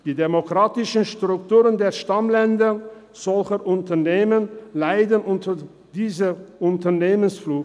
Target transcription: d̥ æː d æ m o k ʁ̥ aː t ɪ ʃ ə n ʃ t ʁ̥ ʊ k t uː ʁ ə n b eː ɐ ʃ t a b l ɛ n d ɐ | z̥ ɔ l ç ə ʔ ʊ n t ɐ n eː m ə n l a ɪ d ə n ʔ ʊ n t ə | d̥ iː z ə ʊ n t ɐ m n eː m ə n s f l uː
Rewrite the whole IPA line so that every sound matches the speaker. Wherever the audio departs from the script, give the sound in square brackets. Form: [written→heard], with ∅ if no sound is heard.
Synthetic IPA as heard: d̥ [æː→iː] d [æ→e] m o k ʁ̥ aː t ɪ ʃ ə n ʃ t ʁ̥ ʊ k t uː ʁ ə n [b→d] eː ɐ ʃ t a [b→m] l ɛ n d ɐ | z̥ ɔ l ç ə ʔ ʊ n t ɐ n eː m ə n l a ɪ d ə n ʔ ʊ n t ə | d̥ iː z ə ʊ n t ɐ [m→∅] n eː m ə n s f l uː